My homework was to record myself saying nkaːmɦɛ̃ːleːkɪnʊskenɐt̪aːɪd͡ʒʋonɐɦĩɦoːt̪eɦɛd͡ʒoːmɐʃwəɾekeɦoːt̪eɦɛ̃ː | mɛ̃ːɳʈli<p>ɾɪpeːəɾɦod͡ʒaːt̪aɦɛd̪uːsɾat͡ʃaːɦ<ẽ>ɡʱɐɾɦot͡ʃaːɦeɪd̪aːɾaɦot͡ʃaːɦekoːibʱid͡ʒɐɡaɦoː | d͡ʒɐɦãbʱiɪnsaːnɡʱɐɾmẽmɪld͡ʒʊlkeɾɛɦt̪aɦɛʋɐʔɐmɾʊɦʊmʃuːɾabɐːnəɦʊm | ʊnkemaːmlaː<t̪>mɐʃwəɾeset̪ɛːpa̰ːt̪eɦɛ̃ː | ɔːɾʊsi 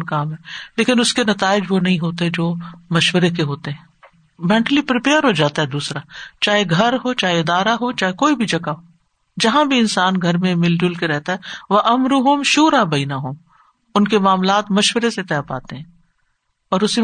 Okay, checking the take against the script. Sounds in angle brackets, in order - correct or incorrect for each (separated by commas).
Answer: correct, incorrect, correct